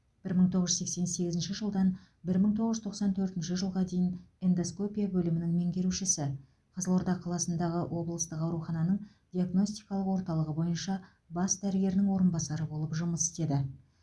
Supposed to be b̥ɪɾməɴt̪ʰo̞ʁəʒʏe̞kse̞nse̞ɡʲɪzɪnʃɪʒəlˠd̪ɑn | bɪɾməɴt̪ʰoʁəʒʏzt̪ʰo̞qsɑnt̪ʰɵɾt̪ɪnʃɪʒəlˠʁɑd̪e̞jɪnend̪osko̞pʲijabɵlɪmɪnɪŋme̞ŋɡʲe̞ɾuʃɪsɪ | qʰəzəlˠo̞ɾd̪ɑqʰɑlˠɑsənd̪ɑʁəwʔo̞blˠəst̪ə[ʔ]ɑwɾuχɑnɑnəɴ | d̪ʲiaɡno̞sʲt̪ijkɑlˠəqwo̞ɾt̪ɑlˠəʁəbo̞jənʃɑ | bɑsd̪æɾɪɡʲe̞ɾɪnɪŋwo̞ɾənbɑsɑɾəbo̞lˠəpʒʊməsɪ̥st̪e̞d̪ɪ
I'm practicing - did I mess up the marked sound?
yes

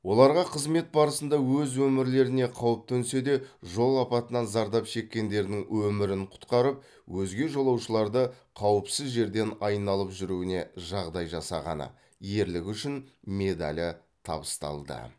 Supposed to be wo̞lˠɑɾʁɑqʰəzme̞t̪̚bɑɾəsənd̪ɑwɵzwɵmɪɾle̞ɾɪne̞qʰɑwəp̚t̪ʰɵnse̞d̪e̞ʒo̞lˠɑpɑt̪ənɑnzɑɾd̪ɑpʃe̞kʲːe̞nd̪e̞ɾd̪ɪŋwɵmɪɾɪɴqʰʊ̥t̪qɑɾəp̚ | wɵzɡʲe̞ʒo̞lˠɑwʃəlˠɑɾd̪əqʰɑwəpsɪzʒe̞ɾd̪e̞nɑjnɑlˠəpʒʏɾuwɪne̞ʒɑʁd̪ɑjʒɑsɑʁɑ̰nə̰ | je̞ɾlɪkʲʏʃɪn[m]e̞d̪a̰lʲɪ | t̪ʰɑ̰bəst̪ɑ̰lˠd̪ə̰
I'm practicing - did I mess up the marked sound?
no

